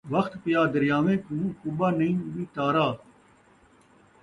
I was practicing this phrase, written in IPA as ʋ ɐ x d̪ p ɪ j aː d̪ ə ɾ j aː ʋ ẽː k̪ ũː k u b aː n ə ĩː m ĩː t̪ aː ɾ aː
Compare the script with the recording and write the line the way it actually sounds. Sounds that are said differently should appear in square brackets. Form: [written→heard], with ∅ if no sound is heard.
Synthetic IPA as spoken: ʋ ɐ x [d̪→t̪] p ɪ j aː d̪ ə ɾ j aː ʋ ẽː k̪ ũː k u b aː n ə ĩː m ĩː t̪ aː ɾ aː